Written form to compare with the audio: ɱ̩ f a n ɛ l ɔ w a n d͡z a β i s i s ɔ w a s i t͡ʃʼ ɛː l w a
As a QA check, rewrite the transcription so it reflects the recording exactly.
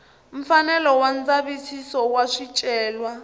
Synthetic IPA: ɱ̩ f a n ɛ l ɔ w a n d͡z a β i s i s ɔ w a ʂ i t͡ʃʼ ɛː l w a